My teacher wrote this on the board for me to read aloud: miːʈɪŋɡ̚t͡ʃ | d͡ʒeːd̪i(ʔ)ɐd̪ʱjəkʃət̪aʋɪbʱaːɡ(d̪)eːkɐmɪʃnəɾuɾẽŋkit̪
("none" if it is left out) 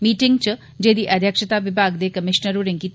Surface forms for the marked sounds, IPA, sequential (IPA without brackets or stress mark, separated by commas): ʔ, d̪